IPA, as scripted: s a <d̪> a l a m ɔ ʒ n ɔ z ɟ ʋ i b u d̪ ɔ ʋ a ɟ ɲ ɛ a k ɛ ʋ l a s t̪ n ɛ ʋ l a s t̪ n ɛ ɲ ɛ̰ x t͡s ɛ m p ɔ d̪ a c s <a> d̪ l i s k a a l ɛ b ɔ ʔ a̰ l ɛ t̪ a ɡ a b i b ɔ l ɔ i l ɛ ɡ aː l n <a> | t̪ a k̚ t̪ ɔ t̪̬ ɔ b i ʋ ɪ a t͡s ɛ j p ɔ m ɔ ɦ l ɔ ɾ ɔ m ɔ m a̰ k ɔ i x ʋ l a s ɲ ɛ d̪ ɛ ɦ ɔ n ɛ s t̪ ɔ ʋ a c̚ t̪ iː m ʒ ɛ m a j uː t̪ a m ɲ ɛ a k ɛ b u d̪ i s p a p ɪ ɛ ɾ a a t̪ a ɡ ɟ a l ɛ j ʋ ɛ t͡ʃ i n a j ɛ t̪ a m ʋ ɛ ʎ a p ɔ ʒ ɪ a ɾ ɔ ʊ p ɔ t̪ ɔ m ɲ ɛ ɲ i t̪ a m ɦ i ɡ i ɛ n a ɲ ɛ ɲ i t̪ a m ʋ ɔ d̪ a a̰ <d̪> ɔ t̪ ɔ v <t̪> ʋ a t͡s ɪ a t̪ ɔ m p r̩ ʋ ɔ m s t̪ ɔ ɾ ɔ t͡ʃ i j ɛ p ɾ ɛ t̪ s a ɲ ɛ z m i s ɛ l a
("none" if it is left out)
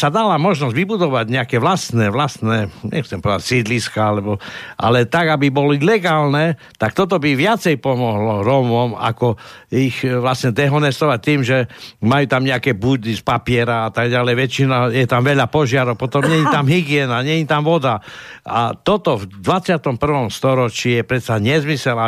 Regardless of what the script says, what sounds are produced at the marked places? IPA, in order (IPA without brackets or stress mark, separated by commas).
d̪, i, ɛ, t̪, d̪